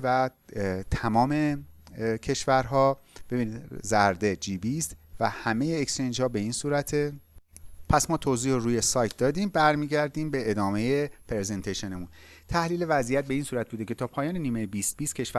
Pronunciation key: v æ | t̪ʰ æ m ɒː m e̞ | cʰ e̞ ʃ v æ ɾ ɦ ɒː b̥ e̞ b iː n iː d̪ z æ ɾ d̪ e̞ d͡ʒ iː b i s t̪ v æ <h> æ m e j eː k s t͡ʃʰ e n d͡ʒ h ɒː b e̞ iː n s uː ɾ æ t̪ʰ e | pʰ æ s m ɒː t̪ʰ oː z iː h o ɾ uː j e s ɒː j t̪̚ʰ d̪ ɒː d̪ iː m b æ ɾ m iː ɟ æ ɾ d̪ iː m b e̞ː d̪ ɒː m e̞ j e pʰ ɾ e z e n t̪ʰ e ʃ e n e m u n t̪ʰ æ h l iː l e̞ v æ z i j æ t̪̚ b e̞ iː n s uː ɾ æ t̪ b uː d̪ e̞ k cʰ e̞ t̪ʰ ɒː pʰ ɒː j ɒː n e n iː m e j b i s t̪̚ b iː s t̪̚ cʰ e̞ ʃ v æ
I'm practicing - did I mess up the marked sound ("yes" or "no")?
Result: no